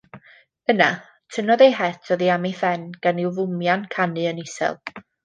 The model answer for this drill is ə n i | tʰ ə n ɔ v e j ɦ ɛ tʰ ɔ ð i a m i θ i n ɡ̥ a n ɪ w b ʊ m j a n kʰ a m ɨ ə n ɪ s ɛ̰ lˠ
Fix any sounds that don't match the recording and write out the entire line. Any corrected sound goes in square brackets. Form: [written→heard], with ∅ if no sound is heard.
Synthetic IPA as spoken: ə n [i→a] | tʰ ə n ɔ [v→ð] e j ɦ ɛ tʰ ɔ ð i a m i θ [i→ɛ] n ɡ̥ a n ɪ w [b→v] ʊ m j a n kʰ a [m→n] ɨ ə n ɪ s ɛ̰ lˠ